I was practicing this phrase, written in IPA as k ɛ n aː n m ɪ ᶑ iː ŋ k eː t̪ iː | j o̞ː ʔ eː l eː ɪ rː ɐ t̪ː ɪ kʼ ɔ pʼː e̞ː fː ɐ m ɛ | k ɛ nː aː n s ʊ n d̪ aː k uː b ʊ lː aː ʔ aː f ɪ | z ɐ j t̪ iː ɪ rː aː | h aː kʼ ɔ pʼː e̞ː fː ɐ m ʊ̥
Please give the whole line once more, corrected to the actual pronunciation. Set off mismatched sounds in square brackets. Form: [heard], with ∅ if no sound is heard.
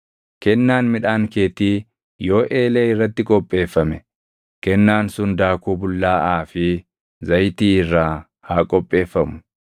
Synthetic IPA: k ɛ [nː] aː n m ɪ ᶑ [aː] ŋ k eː t̪ iː | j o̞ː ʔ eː l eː ɪ rː ɐ t̪ː ɪ kʼ ɔ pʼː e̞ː fː ɐ m ɛ | k ɛ nː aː n s ʊ n d̪ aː k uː b ʊ lː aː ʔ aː f ɪ | z ɐ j t̪ iː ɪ rː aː | h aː kʼ ɔ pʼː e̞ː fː ɐ m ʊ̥